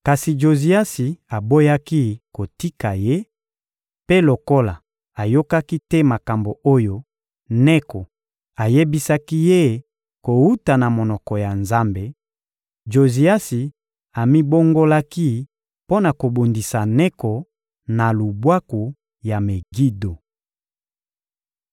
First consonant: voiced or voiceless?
voiceless